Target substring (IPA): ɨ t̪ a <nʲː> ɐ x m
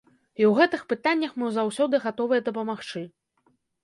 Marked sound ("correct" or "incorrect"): correct